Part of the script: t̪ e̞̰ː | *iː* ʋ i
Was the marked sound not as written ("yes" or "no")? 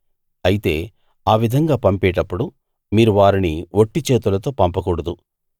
yes